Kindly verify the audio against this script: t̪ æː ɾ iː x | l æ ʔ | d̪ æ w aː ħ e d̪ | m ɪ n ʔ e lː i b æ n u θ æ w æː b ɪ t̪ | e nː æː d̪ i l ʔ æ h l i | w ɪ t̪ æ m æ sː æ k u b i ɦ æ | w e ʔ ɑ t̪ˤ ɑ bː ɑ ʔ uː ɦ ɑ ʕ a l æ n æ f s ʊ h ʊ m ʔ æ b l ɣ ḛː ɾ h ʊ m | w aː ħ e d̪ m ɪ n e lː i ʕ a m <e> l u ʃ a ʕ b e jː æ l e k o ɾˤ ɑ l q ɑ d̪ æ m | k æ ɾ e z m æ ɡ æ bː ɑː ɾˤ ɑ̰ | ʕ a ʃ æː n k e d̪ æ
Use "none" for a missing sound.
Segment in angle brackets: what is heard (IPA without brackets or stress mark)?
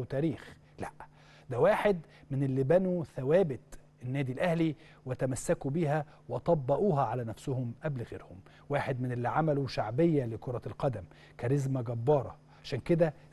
æ